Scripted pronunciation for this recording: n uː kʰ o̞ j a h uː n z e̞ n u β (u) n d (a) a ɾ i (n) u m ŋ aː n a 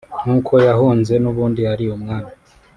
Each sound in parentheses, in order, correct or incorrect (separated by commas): incorrect, incorrect, incorrect